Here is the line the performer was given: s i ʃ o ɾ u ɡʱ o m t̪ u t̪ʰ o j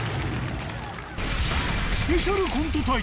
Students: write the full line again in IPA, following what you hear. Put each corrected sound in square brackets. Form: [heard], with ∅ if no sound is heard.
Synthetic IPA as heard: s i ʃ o ɾ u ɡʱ [u] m t̪ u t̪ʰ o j